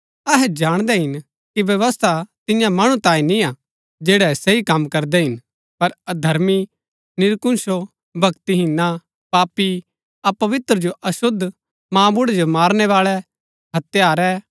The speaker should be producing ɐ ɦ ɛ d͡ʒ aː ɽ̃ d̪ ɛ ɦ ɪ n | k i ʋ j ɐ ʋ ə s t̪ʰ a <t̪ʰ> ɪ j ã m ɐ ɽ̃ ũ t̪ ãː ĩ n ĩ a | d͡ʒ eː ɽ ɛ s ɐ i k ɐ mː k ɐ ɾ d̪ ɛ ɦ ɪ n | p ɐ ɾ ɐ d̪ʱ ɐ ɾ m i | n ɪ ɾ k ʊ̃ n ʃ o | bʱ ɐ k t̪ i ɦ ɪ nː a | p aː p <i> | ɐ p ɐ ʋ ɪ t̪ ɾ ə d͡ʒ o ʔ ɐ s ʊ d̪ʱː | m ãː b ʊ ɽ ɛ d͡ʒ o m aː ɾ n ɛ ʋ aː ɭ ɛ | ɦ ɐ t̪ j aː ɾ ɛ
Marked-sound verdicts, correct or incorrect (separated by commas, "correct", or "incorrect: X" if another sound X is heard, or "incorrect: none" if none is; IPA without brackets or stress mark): incorrect: t̪, correct